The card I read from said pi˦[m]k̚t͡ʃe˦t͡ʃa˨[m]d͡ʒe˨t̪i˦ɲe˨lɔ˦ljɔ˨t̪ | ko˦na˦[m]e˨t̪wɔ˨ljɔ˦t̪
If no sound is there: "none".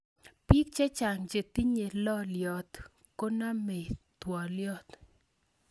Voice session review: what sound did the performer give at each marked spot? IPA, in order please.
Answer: none, ŋ, m

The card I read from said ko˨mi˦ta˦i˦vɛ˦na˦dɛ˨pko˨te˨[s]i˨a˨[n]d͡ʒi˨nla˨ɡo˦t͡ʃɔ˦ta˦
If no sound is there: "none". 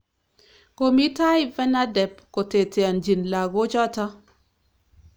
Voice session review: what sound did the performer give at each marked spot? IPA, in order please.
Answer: t, n

